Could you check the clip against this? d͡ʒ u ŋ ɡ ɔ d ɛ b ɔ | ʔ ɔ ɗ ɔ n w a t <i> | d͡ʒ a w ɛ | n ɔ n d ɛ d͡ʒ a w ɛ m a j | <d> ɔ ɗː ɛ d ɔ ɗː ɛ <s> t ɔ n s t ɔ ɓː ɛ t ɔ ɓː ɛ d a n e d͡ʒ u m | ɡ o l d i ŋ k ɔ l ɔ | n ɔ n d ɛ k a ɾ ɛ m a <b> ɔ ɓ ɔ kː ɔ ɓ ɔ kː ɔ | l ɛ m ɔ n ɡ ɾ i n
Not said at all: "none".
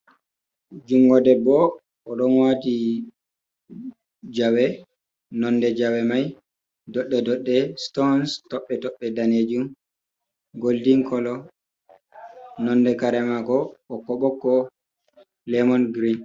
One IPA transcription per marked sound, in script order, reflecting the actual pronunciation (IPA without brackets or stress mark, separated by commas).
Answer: i, d, s, ɡ